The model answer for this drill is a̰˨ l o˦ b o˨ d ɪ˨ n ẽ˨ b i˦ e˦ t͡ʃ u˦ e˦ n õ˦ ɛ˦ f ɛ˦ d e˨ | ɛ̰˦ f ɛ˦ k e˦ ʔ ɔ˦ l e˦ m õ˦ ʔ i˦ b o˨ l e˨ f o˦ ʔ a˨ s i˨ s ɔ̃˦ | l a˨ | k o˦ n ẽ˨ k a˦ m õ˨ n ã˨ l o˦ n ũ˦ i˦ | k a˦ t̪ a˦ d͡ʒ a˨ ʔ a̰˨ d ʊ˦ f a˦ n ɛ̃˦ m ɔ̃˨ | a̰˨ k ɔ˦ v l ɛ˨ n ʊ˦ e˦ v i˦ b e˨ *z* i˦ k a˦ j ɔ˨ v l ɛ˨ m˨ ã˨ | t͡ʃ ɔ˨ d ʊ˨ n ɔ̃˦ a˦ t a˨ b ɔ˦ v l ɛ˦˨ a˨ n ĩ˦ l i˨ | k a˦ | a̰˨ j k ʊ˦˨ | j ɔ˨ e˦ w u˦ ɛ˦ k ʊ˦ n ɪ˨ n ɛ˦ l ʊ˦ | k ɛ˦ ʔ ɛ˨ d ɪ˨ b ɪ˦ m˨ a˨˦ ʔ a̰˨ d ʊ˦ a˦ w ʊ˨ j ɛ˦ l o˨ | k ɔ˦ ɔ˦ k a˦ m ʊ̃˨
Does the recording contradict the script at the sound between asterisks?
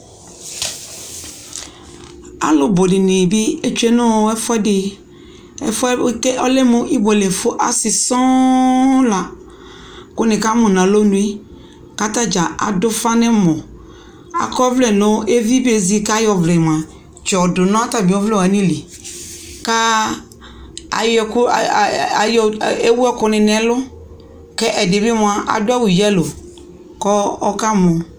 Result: no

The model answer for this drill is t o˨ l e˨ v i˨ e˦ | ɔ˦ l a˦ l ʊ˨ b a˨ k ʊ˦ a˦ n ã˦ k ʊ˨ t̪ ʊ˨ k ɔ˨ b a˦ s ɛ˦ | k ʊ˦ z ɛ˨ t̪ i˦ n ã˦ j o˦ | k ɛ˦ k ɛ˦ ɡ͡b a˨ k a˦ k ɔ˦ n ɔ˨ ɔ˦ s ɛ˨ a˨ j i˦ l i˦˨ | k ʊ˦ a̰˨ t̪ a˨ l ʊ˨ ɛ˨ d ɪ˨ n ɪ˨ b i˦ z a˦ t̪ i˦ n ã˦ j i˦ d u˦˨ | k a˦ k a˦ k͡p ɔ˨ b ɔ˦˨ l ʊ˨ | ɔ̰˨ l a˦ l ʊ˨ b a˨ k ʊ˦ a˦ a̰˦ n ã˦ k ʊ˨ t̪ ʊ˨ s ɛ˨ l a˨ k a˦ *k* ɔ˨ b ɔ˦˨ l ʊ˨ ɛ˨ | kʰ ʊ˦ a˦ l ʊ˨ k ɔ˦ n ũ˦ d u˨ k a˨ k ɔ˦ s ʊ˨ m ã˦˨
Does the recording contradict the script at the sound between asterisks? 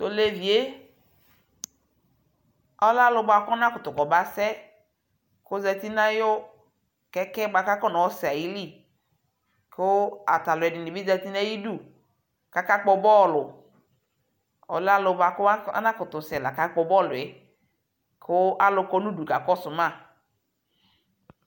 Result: yes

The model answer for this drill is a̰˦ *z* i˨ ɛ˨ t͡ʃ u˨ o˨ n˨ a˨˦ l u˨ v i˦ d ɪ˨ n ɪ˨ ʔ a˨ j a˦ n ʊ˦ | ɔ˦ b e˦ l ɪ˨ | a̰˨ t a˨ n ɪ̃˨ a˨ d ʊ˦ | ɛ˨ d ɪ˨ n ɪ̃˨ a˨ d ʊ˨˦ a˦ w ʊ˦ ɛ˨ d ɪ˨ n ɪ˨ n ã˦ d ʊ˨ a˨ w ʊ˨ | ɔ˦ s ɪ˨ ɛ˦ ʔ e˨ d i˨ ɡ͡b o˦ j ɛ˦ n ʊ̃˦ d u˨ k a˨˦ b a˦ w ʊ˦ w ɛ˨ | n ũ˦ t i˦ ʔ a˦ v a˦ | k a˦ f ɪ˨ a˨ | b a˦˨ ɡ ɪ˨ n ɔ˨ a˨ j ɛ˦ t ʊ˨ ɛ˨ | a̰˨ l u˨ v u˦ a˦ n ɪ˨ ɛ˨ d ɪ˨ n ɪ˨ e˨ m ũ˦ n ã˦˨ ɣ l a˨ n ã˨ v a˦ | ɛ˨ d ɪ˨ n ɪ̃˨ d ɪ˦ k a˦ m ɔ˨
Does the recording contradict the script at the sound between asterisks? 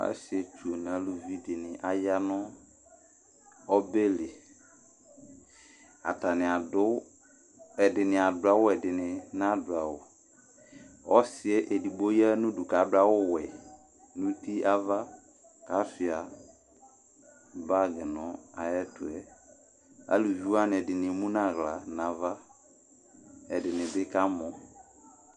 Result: yes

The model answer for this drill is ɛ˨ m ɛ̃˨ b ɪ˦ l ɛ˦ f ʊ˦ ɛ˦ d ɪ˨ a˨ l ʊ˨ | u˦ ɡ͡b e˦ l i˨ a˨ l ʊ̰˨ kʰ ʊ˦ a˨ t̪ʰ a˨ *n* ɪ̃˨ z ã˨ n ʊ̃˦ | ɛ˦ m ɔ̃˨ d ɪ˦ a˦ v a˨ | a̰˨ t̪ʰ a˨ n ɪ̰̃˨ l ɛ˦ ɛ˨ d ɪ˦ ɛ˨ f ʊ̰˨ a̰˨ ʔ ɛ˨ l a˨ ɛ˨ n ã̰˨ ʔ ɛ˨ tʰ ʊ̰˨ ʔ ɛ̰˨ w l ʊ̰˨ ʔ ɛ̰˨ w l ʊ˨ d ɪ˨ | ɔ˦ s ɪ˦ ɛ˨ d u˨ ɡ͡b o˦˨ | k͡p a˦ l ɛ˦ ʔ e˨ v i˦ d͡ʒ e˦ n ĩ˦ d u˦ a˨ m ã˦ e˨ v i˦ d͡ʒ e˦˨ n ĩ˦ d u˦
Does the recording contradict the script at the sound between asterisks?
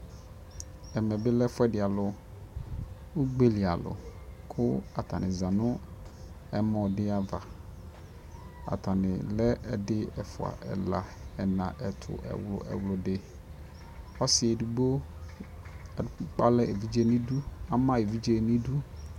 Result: no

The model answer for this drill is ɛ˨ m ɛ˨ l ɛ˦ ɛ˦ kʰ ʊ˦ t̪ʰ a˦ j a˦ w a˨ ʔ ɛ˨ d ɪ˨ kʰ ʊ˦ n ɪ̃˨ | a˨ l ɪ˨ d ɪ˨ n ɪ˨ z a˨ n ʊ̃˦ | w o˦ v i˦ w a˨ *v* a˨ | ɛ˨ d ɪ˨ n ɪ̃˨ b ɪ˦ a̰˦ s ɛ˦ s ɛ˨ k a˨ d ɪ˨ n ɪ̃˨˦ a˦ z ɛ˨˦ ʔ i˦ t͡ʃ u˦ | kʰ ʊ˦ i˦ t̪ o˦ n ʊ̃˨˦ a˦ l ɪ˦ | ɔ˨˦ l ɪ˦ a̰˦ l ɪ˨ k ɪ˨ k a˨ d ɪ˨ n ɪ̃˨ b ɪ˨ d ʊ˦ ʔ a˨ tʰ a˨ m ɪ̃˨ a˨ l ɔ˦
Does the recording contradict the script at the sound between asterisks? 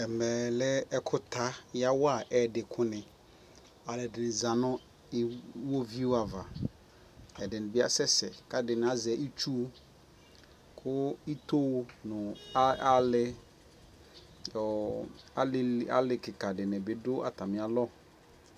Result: no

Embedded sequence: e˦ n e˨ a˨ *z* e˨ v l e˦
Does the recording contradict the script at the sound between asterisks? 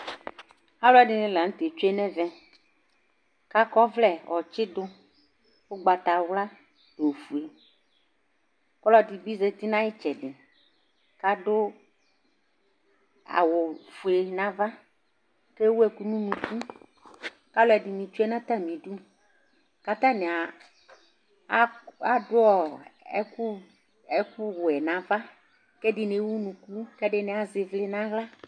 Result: no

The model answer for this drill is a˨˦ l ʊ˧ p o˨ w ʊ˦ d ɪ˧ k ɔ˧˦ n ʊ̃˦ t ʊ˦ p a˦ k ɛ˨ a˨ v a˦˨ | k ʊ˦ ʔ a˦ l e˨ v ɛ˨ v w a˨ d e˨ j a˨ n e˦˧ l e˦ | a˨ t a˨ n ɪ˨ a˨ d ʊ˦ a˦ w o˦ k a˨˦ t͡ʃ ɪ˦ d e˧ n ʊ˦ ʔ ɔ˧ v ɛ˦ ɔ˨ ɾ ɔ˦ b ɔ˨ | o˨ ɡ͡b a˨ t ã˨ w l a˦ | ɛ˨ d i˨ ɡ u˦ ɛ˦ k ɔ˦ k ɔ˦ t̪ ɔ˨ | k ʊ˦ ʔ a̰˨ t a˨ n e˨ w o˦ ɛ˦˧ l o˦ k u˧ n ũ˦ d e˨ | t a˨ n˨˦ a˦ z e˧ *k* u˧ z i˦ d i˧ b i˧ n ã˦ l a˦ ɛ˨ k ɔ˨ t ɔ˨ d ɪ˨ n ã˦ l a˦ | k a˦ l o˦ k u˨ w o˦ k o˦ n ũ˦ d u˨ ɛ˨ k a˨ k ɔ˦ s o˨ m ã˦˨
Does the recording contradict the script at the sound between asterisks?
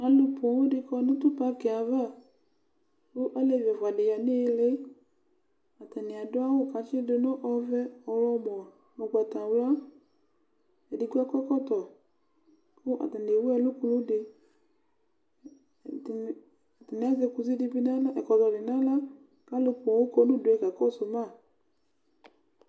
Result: no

